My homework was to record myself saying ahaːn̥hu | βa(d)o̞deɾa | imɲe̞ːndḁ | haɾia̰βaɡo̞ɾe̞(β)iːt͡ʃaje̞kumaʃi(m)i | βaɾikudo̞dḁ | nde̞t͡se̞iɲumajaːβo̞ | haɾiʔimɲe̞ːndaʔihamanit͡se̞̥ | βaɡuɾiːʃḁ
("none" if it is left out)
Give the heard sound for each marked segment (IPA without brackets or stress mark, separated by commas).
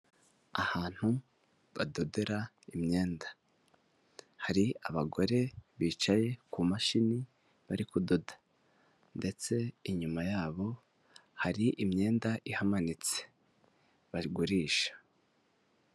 d, β, n